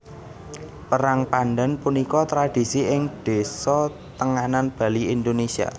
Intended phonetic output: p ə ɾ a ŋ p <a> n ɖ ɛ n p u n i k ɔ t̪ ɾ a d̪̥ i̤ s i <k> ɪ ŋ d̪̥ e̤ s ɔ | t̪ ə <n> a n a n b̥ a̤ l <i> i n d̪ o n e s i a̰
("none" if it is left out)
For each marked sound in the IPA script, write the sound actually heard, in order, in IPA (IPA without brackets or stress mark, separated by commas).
a, none, ŋ, i